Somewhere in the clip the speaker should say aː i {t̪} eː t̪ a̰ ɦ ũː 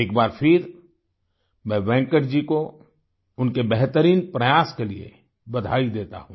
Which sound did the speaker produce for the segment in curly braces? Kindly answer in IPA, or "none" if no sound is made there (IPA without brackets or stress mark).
d̪